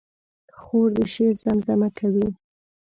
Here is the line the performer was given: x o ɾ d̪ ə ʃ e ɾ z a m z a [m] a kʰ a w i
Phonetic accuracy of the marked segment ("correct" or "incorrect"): correct